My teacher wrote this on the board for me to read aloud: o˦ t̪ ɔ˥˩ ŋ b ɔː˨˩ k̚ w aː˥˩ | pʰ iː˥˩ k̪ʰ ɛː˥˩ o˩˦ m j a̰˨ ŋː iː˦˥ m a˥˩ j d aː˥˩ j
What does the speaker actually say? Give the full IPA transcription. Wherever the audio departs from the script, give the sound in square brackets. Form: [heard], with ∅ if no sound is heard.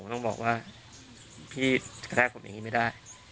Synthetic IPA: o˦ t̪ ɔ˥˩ ŋ b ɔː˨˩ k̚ w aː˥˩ | pʰ iː˥˩ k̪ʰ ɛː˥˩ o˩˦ m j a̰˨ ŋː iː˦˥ m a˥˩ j d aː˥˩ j

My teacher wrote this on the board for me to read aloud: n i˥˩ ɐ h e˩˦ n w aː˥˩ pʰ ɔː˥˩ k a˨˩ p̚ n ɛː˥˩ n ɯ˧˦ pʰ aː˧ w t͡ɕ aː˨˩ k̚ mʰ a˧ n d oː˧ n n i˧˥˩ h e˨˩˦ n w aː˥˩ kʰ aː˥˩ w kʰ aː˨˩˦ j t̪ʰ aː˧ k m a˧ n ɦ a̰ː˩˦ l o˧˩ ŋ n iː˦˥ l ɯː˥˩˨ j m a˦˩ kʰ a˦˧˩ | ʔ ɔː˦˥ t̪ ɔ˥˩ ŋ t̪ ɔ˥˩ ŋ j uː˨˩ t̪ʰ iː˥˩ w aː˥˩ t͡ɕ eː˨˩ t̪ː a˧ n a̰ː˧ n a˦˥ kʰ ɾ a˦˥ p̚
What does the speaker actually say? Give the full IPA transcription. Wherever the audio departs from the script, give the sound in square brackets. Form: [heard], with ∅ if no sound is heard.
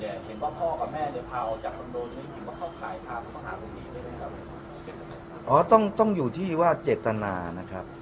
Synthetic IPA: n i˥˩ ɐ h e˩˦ n w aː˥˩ pʰ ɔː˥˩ k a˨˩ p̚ [m] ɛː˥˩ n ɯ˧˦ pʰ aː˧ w t͡ɕ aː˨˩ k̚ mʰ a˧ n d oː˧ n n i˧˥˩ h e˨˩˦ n w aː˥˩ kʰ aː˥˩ w kʰ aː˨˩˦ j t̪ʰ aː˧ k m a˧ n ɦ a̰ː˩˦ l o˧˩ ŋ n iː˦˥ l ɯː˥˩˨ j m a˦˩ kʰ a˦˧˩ | ʔ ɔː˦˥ t̪ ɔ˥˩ ŋ t̪ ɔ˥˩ ŋ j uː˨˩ t̪ʰ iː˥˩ w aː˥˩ t͡ɕ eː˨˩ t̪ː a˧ n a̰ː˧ n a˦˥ kʰ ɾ a˦˥ p̚

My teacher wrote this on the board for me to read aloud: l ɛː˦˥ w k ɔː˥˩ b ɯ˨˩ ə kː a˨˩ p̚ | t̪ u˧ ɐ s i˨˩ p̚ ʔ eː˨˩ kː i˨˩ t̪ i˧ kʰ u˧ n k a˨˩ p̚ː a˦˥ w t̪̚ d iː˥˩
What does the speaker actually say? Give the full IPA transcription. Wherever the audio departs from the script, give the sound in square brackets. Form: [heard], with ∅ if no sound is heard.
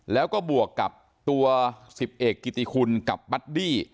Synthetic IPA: l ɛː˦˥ w k ɔː˥˩ b [u˨˩] ə kː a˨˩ p̚ | t̪ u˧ ɐ s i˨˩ p̚ ʔ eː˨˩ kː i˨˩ t̪ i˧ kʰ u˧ n k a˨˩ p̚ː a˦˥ [∅] t̪̚ d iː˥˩

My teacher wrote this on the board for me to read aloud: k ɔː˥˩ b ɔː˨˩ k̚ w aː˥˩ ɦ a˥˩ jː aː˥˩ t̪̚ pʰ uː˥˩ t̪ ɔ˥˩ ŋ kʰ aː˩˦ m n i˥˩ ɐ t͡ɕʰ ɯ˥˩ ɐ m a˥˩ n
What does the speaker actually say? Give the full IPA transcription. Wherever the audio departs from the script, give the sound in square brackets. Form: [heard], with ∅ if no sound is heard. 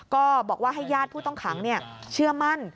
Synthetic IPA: k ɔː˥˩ b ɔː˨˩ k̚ w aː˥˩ ɦ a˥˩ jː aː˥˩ t̪̚ pʰ uː˥˩ t̪ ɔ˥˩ ŋ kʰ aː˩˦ [ŋ] n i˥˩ ɐ t͡ɕʰ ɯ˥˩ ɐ m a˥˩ n

